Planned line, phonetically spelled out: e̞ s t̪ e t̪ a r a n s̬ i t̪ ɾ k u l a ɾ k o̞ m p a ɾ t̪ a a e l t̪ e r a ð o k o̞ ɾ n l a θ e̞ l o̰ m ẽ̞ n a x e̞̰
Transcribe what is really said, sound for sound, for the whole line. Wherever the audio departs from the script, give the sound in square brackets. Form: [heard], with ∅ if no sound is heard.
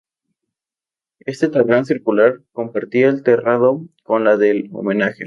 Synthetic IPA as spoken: e̞ s t̪ e t̪ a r a n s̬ i [∅] ɾ k u l a ɾ k o̞ m p a ɾ t̪ [i] a e l t̪ e r a ð o k o̞ [∅] n l a [ð] e̞ l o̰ m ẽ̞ n a x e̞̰